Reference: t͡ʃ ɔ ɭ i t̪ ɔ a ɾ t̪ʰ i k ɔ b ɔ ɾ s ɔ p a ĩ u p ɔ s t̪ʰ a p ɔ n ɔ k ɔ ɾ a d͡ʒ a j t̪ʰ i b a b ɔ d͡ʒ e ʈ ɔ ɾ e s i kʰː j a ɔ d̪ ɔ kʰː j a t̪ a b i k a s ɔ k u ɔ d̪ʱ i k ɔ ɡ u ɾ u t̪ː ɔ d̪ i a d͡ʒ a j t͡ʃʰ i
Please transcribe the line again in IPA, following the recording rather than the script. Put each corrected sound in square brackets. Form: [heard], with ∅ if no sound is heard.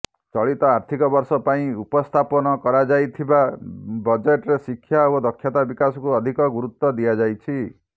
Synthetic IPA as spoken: t͡ʃ ɔ ɭ i t̪ ɔ a ɾ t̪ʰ i k ɔ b ɔ ɾ s ɔ p a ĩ u p ɔ s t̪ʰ a p ɔ n ɔ k ɔ ɾ a d͡ʒ a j t̪ʰ i b a b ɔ d͡ʒ e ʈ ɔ ɾ e s i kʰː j a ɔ d̪ ɔ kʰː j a t̪ a b i k a s ɔ k u ɔ d̪ʱ i k ɔ ɡ u ɾ u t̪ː ɔ d̪ i a d͡ʒ a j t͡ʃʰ i

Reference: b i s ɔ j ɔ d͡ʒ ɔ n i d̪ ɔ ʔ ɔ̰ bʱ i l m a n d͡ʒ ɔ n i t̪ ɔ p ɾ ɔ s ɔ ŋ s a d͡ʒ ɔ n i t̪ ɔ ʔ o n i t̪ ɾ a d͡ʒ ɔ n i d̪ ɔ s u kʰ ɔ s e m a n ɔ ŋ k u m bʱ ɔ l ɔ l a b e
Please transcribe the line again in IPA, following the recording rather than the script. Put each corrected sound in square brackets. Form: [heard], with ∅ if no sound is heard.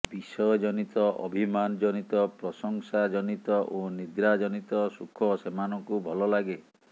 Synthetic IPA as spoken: b i s ɔ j ɔ d͡ʒ ɔ n i [t̪] ɔ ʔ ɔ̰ bʱ i [∅] m a n d͡ʒ ɔ n i t̪ ɔ p ɾ ɔ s ɔ ŋ s a d͡ʒ ɔ n i t̪ ɔ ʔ o n i [d̪] ɾ a d͡ʒ ɔ n i [t̪] ɔ s u kʰ ɔ s e m a n ɔ ŋ k u [∅] bʱ ɔ l ɔ l a [ɡ] e

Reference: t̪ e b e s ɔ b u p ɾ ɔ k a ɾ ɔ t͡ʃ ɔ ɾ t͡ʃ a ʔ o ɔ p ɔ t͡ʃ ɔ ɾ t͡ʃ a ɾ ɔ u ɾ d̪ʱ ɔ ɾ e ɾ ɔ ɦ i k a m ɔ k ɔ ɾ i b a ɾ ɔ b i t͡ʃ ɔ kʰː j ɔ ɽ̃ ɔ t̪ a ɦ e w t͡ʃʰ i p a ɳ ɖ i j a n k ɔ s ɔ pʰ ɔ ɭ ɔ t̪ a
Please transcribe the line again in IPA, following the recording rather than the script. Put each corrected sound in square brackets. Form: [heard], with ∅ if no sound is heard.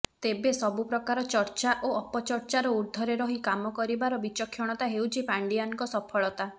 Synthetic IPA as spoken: t̪ e b e s ɔ b u p ɾ ɔ k a ɾ ɔ t͡ʃ ɔ ɾ t͡ʃ a ʔ o ɔ p ɔ t͡ʃ ɔ ɾ t͡ʃ a ɾ ɔ u ɾ d̪ʱ ɔ ɾ e ɾ ɔ ɦ i k a m ɔ k ɔ ɾ i b a ɾ ɔ b i t͡ʃ ɔ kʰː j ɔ ɽ̃ ɔ t̪ a ɦ e w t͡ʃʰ i p a ɳ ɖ i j a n k ɔ s ɔ pʰ ɔ ɭ ɔ t̪ a

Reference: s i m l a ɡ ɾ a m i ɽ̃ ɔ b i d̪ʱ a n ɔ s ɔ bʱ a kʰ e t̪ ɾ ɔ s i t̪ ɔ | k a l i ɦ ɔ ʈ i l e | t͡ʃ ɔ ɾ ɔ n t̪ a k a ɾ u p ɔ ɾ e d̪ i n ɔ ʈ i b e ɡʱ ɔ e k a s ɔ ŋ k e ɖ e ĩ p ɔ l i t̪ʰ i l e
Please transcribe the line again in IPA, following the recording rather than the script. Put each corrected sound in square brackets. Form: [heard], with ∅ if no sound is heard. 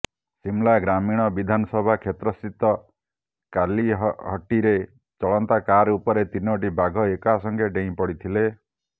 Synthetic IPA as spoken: s i m l a ɡ ɾ a m i ɽ̃ ɔ b i d̪ʱ a n ɔ s ɔ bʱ a kʰ e t̪ ɾ ɔ s i t̪ ɔ | k a l i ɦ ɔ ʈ i [ɾ] e | t͡ʃ ɔ [ɭ] ɔ n t̪ a k a ɾ u p ɔ ɾ e [t̪] i n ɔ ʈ i b [a] ɡʱ ɔ e k a s ɔ ŋ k e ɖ e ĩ p ɔ [ɽ] i t̪ʰ i l e

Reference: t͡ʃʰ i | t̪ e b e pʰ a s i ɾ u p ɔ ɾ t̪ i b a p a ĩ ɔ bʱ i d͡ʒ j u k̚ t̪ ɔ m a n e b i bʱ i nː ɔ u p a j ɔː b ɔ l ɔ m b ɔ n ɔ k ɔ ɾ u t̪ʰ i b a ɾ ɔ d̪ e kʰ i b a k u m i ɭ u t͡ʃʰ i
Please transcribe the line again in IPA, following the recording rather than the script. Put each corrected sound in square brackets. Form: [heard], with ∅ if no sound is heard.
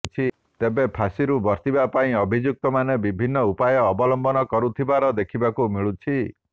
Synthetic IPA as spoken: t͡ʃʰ i | t̪ e b e pʰ a s i ɾ u [b] ɔ ɾ t̪ i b a p a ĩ ɔ bʱ i d͡ʒ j u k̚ t̪ ɔ m a n e b i bʱ i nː ɔ u p a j ɔː b ɔ l ɔ m b ɔ n ɔ k ɔ ɾ u t̪ʰ i b a ɾ ɔ d̪ e kʰ i b a k u m i ɭ u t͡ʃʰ i

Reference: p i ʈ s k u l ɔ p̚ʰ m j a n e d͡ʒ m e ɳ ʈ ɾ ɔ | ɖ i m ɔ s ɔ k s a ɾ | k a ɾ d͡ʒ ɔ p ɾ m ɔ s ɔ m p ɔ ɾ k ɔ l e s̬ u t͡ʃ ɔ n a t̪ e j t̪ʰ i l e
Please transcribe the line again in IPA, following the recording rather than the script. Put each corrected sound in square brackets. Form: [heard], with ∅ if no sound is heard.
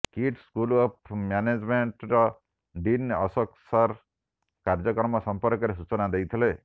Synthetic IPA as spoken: [k] i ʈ s k u l ɔ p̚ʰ m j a n e d͡ʒ m e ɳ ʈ ɾ ɔ | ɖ i [n] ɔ s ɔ k s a ɾ | k a ɾ d͡ʒ ɔ [k] ɾ m ɔ s ɔ m p ɔ ɾ k ɔ [ɾ] e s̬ u t͡ʃ ɔ n a [d̪] e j t̪ʰ i l e

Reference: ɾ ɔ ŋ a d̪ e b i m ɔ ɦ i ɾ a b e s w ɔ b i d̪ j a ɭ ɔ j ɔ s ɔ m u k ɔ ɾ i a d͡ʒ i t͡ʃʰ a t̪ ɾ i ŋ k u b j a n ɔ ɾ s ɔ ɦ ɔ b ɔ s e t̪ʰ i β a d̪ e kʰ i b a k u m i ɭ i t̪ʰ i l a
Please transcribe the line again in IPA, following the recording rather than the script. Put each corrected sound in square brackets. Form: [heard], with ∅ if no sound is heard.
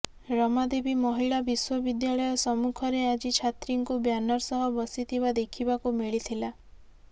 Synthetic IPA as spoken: ɾ ɔ [m] a d̪ e b i m ɔ ɦ i [ɭ] a b [i] s w ɔ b i d̪ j a ɭ ɔ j ɔ s ɔ m u [kʰ] ɔ ɾ [e] a d͡ʒ i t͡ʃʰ a t̪ ɾ i ŋ k u b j a n ɔ ɾ s ɔ ɦ ɔ b ɔ s [i] t̪ʰ i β a d̪ e kʰ i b a k u m i ɭ i t̪ʰ i l a

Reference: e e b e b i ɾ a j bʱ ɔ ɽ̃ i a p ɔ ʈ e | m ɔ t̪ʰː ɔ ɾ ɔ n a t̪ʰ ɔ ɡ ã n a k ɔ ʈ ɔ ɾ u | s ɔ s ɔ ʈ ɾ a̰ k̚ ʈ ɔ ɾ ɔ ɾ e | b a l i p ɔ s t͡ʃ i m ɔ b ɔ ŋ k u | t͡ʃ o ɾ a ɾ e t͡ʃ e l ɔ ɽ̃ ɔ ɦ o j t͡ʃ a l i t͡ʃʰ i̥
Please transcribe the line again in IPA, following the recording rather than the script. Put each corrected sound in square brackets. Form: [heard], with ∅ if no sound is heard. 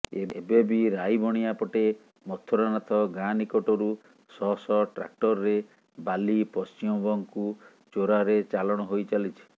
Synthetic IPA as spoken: e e b e b i ɾ a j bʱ ɔ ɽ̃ i a p ɔ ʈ e | m ɔ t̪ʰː ɔ ɾ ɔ n a t̪ʰ ɔ ɡ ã n [i] k ɔ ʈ ɔ ɾ u | s ɔ s ɔ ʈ ɾ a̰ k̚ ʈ ɔ ɾ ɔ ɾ e | b a l i p ɔ s t͡ʃ i m ɔ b ɔ ŋ k u | t͡ʃ o ɾ a ɾ e t͡ʃ [a] l ɔ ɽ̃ ɔ ɦ o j t͡ʃ a l i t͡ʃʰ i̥

